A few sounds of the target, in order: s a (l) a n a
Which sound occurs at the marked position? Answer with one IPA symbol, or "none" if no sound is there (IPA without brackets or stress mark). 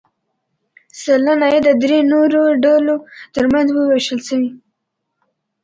l